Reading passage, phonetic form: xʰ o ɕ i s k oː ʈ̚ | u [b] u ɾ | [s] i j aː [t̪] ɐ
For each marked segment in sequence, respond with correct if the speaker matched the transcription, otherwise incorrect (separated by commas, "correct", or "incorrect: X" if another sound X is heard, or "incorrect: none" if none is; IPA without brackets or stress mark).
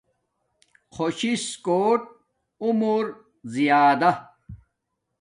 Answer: incorrect: m, incorrect: z, incorrect: d̪